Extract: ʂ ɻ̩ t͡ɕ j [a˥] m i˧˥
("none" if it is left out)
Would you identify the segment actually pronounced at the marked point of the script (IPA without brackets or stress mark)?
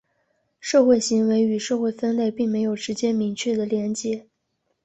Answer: ɛ˥